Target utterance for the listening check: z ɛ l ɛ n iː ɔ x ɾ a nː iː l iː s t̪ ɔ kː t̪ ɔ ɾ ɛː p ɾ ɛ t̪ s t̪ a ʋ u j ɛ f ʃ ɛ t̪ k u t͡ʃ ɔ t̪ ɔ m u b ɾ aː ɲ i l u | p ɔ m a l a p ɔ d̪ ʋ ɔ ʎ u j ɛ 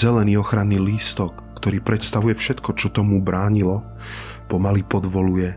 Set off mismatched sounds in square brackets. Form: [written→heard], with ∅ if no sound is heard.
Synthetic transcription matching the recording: z ɛ l ɛ n iː ɔ x ɾ a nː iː l iː s t̪ ɔ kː t̪ ɔ ɾ [ɛː→iː] p ɾ ɛ t̪ s t̪ a ʋ u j ɛ f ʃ ɛ t̪ k [u→ɔ] t͡ʃ ɔ t̪ ɔ m u b ɾ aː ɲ i l [u→ɔ] | p ɔ m a l [a→i] p ɔ d̪ ʋ ɔ [ʎ→l] u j ɛ